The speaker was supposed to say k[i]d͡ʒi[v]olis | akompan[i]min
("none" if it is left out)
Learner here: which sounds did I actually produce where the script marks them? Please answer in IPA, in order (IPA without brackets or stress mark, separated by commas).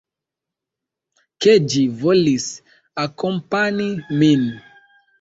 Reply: e, v, i